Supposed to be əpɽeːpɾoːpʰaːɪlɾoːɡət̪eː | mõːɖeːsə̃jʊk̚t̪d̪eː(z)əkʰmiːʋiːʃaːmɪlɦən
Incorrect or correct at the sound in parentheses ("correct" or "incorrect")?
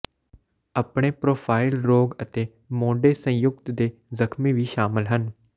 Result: correct